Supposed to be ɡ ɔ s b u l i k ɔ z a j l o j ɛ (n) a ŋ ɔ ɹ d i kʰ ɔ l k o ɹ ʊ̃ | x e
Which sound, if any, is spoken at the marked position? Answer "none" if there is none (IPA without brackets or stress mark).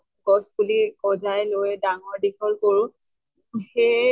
d